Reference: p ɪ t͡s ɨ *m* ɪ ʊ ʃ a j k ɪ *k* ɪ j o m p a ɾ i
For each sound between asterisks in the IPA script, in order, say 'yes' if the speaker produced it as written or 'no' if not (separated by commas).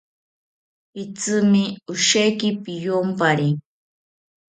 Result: yes, no